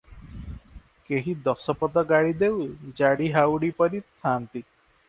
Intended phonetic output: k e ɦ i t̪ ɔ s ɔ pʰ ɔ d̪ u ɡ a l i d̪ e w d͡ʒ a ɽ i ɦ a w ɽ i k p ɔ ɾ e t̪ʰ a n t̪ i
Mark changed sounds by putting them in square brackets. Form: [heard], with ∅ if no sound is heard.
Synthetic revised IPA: k e ɦ i [d̪] ɔ s ɔ [p] ɔ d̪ [ɔ] ɡ a [ɽ] i d̪ e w d͡ʒ a ɽ i ɦ a w ɽ i [∅] p ɔ ɾ [i] t̪ʰ a n t̪ i